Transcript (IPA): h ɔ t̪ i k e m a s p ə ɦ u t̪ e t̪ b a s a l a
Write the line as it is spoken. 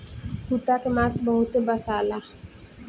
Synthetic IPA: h u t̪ a k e m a s b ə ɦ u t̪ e b a s a l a

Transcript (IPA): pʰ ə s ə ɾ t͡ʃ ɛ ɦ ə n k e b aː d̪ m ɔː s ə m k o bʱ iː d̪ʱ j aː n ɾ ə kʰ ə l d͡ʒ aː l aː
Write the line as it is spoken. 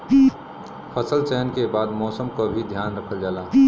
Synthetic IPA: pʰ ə s ə l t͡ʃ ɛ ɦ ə n k e b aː d̪ m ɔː s ə m k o bʱ i d̪ʱ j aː n ɾ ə kʰ ə l d͡ʒ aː l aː

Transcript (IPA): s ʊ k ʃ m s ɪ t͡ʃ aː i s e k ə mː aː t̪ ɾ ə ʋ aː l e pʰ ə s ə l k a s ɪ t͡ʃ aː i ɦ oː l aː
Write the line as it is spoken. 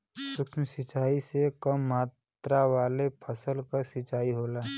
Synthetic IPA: s ʊ k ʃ m s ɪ t͡ʃ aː i s e k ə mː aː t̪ ɾ a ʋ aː l e pʰ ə s ə l k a s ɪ t͡ʃ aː i ɦ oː l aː

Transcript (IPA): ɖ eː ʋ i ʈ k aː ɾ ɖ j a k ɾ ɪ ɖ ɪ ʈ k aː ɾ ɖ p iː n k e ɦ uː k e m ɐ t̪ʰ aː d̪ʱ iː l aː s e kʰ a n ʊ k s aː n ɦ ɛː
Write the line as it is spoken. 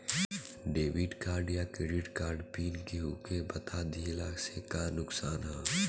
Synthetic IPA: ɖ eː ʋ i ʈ k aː ɾ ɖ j a k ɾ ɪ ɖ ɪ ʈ k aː ɾ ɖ p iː n k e ɦ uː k e b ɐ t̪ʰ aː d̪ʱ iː l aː s e k a n ʊ k s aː n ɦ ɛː

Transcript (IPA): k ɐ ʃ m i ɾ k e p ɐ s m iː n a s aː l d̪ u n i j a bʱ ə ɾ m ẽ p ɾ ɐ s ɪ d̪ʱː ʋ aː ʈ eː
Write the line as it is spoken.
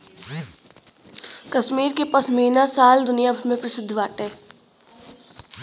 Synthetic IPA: k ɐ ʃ m iː ɾ k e p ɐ s m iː n a s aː l d̪ ʊ n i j a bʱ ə ɾ m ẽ p ɾ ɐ s ɪ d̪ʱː ʋ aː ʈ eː

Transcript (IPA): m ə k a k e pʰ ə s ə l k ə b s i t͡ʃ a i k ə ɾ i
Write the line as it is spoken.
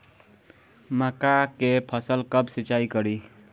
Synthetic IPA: m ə k a k e pʰ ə s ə l k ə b s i t͡ʃ a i k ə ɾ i

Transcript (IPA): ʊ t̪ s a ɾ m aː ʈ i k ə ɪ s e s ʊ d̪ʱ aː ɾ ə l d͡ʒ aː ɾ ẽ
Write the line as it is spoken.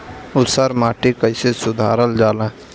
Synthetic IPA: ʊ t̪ s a ɾ m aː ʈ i k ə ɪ s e s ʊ d̪ʱ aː ɾ ə l d͡ʒ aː l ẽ

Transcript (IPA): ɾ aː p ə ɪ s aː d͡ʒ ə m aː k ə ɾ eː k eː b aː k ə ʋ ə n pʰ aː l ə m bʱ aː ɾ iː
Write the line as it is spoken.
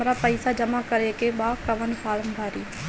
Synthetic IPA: ɾ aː p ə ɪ s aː d͡ʒ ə m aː k ə ɾ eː k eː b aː k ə ʋ ə n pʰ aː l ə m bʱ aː ɾ iː

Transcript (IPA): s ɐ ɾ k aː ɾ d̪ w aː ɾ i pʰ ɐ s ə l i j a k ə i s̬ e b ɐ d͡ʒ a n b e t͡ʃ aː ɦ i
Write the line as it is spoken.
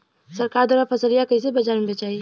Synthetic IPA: s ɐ ɾ k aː ɾ d̪ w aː ɾ a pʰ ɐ s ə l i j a k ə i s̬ e b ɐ d͡ʒ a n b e t͡ʃ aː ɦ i

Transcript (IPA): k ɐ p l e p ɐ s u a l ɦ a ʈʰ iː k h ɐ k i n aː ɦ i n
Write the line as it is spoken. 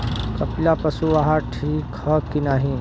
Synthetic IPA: k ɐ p l a p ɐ s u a ɦ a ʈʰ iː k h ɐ k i n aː ɦ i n

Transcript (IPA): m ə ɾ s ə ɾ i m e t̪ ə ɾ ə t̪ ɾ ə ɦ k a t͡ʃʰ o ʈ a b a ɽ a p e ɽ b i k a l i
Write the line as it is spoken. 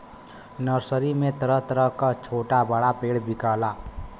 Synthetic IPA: n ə ɾ s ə ɾ i m e t̪ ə ɾ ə t̪ ɾ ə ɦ k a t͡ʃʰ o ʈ a b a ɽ a p e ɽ b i k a l a

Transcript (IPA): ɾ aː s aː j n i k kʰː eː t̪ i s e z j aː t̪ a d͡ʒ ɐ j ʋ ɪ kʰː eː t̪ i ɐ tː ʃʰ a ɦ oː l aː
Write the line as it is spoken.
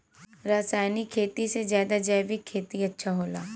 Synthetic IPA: ɾ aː s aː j n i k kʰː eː t̪ i s e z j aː d̪ a d͡ʒ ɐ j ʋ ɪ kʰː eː t̪ i ɐ tː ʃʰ a ɦ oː l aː

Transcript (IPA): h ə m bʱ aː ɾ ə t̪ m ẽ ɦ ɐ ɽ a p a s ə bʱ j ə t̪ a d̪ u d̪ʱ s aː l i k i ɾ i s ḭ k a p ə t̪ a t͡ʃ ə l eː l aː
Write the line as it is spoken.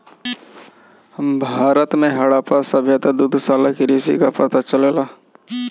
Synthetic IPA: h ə m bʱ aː ɾ ə t̪ m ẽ ɦ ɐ ɽ a p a s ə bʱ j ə t̪ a d̪ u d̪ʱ s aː l a k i ɾ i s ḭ k a p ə t̪ a t͡ʃ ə l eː l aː

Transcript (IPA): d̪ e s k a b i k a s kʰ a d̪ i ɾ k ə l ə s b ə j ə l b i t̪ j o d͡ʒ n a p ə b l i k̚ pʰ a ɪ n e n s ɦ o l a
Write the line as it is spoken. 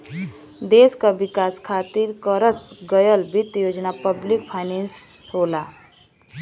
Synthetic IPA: d̪ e s k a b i k a s kʰ a t̪ i ɾ k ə ɾ ə s ɡ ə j ə l b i t̪ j o d͡ʒ n a p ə b l i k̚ pʰ a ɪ n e n s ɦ o l a

